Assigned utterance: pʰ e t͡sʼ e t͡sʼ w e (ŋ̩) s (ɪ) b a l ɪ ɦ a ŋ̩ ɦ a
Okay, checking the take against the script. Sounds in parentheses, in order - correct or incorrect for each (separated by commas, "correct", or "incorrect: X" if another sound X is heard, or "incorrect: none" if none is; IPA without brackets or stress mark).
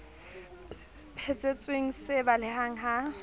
correct, correct